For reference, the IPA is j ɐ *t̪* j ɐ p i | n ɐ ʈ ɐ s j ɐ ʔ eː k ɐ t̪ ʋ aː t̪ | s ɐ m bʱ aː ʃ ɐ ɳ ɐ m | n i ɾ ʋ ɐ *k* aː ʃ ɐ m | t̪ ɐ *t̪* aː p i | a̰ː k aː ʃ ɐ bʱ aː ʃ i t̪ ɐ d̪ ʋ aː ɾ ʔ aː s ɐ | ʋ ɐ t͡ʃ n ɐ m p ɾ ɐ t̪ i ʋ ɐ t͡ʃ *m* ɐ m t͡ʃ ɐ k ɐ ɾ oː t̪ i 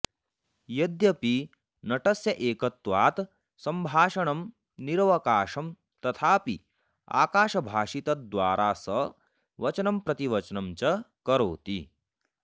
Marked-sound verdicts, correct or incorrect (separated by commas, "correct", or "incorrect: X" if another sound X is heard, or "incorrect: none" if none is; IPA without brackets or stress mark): incorrect: d̪, correct, incorrect: t̪ʰ, incorrect: n